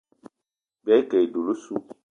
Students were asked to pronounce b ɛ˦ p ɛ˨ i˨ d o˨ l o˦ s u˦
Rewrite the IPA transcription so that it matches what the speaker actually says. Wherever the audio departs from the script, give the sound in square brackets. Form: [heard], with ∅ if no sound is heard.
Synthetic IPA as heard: b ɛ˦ [k] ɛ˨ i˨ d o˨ l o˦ s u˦